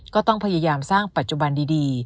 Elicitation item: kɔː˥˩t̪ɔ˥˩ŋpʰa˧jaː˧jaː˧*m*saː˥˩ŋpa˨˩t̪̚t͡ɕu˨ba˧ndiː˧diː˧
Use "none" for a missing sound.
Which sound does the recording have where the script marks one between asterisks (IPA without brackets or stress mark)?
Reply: m